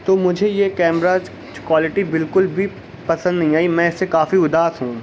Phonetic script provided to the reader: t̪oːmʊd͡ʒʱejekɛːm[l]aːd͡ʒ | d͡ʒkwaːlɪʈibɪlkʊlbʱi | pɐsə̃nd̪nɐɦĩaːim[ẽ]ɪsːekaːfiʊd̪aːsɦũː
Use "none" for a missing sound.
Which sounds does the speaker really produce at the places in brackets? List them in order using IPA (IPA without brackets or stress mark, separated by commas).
ɾ, ɛ̃